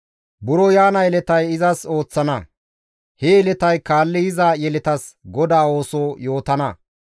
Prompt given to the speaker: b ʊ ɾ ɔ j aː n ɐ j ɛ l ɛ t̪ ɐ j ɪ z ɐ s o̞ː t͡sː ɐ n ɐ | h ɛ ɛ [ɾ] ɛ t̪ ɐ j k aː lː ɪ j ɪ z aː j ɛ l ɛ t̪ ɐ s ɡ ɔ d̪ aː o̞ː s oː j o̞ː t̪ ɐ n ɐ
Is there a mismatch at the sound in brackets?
yes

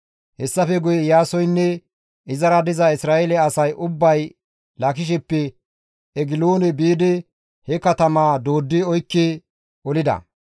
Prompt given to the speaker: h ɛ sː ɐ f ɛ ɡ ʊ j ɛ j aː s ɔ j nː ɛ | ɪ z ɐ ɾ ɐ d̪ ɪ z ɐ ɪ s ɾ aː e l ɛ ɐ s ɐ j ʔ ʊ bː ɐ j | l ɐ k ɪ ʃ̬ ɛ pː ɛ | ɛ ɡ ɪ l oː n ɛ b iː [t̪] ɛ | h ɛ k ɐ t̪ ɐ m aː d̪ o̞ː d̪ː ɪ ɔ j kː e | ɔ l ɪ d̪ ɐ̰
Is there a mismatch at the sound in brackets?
yes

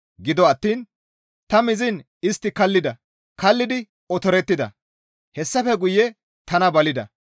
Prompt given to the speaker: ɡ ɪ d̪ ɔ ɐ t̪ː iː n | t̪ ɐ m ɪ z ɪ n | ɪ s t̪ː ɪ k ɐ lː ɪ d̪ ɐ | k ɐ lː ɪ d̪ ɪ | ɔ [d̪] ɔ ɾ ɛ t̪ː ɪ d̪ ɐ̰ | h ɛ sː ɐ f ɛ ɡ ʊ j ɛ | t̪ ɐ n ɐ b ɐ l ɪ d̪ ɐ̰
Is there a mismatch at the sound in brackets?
yes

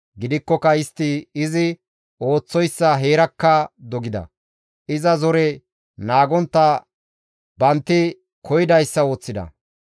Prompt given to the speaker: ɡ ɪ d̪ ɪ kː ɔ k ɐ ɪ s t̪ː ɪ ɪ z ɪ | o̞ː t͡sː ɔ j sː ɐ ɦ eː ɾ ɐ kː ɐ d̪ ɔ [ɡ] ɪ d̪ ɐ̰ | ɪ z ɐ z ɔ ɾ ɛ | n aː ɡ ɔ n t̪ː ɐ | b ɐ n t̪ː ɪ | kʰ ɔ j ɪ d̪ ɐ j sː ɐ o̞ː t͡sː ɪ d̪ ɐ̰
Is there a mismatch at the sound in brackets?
no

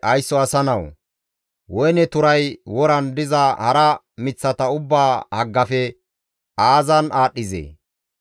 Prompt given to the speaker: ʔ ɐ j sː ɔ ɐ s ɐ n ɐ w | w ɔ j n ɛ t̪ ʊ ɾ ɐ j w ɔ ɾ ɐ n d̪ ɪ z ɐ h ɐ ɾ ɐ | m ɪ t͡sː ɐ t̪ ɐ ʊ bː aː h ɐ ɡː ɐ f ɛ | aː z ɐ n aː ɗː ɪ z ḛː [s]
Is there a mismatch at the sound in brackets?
yes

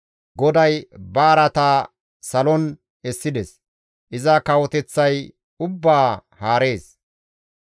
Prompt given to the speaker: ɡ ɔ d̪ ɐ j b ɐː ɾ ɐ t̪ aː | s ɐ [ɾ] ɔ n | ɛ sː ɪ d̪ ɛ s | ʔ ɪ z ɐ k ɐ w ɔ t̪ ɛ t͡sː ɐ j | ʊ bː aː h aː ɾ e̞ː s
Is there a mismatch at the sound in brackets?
yes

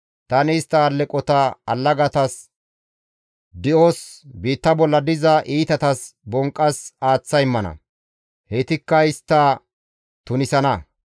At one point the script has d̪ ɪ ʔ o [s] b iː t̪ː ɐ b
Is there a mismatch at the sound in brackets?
no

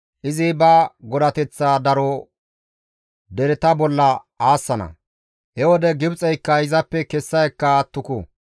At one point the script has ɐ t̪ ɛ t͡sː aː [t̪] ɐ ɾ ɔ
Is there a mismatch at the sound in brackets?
yes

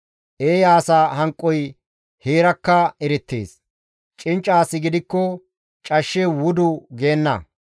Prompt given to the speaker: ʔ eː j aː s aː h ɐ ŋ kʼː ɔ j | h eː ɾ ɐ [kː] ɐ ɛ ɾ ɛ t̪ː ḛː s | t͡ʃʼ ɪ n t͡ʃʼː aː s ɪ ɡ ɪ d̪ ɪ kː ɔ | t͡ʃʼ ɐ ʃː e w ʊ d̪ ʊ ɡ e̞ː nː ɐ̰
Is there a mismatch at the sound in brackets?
no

